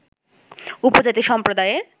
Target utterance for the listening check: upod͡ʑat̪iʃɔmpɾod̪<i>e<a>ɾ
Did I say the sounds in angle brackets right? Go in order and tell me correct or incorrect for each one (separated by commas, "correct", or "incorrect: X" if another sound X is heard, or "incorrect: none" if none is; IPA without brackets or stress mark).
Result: incorrect: a, incorrect: e